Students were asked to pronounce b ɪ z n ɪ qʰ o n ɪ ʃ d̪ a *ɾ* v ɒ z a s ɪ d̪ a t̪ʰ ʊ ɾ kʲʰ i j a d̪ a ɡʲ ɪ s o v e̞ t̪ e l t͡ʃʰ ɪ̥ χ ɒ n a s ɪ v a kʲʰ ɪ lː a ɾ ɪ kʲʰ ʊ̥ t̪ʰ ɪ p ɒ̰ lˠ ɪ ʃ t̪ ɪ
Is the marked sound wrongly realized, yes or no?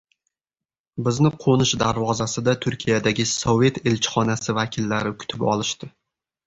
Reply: no